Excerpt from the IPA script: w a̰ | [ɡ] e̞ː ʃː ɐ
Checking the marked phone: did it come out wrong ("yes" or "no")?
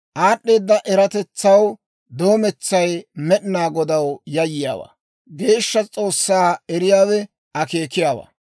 no